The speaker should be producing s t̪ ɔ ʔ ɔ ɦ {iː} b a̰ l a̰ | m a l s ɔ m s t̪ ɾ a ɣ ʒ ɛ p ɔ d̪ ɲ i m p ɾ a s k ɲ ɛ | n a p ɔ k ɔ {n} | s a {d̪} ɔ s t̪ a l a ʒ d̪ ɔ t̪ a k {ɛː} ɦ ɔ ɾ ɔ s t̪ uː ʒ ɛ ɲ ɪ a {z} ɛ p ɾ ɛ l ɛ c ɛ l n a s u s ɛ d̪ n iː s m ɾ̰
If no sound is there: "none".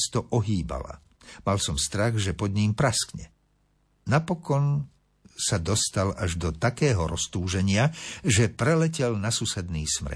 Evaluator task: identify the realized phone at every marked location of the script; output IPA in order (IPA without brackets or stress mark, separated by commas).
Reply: iː, n, d̪, ɛː, ʒ